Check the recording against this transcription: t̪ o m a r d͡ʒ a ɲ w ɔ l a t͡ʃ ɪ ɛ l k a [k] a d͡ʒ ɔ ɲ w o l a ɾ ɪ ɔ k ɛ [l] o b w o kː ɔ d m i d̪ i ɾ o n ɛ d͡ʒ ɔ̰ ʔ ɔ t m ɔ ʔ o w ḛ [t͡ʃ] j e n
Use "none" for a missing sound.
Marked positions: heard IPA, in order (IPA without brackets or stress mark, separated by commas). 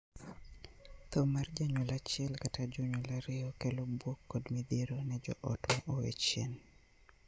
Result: t, l, t͡ʃ